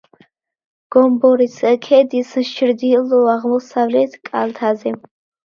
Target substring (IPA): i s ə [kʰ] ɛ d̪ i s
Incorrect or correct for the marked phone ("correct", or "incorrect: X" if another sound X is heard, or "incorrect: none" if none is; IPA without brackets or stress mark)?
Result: correct